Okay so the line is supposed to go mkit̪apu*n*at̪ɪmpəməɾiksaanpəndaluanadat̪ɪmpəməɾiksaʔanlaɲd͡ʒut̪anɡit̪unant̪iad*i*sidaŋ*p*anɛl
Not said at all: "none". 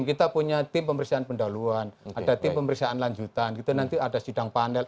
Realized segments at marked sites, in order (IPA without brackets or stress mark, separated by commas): ɲ, a, p